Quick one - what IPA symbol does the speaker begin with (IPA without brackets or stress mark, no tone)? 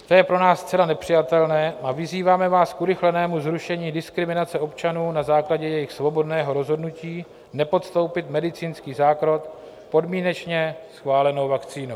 t̪